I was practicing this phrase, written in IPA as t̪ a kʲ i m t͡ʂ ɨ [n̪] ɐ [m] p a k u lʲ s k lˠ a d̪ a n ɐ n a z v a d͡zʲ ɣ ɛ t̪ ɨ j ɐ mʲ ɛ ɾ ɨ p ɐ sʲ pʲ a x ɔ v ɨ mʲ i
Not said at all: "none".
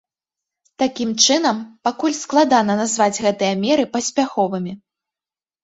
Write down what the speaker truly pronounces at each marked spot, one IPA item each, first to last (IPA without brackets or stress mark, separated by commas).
n̪, m